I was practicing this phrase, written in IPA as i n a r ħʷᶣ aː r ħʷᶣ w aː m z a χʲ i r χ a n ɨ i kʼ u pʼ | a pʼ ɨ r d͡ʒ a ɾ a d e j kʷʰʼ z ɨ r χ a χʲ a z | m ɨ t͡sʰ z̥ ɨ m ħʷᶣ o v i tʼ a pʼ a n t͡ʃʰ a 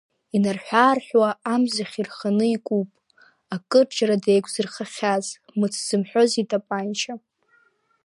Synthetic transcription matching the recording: i n a r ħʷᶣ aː r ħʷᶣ w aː m z a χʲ i r χ a n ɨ i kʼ u pʼ | a kʼ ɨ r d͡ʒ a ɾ a d e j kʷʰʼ z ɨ r χ a χʲ a z | m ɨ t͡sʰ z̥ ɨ m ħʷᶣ o z i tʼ a pʼ a n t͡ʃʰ a